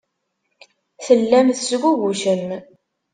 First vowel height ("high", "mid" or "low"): mid